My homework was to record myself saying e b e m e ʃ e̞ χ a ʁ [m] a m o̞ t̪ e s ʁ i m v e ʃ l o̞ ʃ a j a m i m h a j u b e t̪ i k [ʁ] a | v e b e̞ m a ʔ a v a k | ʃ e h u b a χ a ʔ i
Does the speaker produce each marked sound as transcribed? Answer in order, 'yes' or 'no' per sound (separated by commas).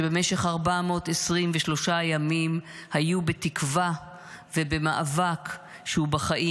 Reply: no, no